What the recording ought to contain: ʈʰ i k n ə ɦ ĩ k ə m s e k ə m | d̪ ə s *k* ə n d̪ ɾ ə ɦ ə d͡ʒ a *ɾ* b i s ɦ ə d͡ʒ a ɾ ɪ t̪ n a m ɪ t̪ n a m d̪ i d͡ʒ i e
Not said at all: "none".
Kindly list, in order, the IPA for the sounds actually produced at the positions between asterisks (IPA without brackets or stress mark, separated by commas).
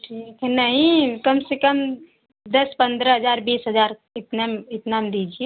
p, ɾ